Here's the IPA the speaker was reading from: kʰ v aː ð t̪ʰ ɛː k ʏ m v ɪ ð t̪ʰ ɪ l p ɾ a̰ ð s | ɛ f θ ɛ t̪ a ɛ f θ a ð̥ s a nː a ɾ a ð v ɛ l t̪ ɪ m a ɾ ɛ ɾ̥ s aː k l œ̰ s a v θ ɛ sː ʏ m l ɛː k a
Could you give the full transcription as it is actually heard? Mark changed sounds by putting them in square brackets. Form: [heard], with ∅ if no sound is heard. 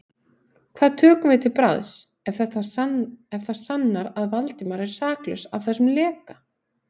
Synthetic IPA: kʰ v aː ð t̪ʰ [œː] k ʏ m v ɪ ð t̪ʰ ɪ l p ɾ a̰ ð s | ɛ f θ ɛ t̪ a ɛ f θ a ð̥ s a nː a ɾ a ð v [a] l t̪ ɪ m a ɾ ɛ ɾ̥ s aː k l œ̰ s a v θ ɛ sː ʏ m l ɛː k a